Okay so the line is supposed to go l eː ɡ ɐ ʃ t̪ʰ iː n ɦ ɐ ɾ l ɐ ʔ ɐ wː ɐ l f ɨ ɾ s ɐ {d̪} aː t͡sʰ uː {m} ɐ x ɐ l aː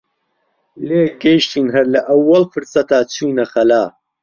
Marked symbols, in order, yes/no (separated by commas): no, no